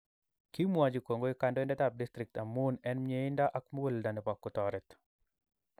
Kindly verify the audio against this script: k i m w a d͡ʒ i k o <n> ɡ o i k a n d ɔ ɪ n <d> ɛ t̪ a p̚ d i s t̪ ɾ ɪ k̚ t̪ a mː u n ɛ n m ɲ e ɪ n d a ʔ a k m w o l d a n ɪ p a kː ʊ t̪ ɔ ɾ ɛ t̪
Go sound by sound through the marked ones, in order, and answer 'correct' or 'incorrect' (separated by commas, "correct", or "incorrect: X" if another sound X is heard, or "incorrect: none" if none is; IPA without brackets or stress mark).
incorrect: ŋ, correct